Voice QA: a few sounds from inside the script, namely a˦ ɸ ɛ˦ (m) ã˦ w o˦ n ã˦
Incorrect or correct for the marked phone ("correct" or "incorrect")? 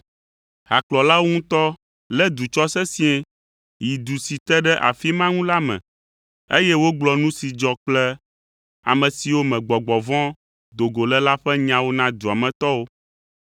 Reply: incorrect